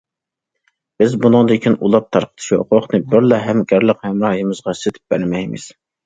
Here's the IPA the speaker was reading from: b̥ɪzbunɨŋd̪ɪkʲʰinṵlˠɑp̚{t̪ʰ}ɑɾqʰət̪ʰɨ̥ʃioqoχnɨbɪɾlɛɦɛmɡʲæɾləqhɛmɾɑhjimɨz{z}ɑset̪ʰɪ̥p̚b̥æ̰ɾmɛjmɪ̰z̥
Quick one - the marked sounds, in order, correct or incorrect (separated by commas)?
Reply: correct, incorrect